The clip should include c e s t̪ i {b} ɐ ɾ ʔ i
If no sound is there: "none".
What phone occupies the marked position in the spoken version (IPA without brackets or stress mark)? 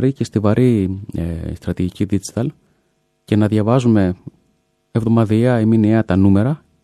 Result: v